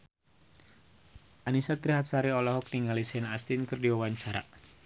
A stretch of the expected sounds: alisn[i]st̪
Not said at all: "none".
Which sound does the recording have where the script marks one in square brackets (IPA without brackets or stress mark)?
a